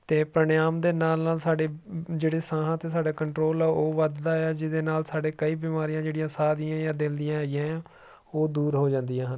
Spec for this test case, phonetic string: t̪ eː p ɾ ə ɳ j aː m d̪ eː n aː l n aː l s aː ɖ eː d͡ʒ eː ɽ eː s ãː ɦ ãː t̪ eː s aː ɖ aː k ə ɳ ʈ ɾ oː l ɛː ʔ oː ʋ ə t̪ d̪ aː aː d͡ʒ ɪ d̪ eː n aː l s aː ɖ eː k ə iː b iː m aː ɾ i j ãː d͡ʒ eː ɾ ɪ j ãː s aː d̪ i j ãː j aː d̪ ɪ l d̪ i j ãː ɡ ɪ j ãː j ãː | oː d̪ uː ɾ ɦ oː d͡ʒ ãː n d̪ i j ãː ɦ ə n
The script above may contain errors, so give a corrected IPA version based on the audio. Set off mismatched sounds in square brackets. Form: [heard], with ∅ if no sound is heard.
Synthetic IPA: t̪ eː p ɾ ə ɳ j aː m d̪ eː n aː l n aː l s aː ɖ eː d͡ʒ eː ɽ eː s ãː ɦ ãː t̪ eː s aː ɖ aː k ə ɳ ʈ ɾ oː l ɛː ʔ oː ʋ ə [d̪] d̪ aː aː d͡ʒ ɪ d̪ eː n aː l s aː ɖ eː k ə iː b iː m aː ɾ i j ãː d͡ʒ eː [ɽ] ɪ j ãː s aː d̪ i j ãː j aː d̪ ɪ l d̪ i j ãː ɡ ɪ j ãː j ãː | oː d̪ uː ɾ ɦ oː d͡ʒ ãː n d̪ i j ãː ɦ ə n